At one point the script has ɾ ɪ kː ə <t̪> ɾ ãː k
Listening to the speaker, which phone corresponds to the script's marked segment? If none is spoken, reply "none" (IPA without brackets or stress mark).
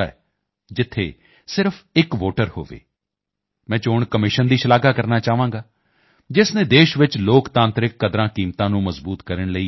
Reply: d̪